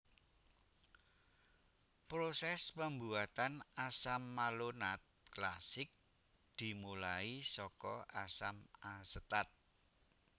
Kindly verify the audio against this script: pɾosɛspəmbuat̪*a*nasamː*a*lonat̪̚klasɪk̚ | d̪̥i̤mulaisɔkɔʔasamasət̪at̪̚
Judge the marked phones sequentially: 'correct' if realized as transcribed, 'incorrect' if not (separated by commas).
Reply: correct, correct